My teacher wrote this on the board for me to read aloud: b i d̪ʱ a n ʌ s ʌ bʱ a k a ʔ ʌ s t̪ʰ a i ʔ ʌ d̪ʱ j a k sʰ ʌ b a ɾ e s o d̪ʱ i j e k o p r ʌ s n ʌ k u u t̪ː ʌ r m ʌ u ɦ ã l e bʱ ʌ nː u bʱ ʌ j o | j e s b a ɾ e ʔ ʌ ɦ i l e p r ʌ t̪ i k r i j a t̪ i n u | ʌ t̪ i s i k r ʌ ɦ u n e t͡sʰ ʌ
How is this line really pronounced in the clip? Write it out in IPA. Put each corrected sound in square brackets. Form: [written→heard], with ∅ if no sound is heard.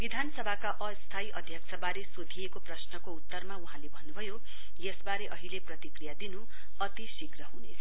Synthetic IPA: b i d̪ʱ a n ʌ s ʌ bʱ a k a ʔ ʌ s t̪ʰ a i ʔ ʌ d̪ʱ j [a→ʌ] k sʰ ʌ b a ɾ e s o d̪ʱ i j e k o p r ʌ s n ʌ k [u→o] u t̪ː ʌ r m [ʌ→a] u ɦ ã l e bʱ ʌ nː u bʱ ʌ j o | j e s b a ɾ e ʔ ʌ ɦ i l e p r ʌ t̪ i k r i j a [t̪→d̪] i n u | ʌ t̪ i s i k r ʌ ɦ u n e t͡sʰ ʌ